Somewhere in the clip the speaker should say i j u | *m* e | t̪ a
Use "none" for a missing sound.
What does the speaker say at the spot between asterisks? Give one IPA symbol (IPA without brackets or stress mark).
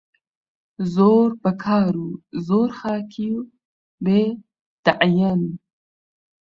b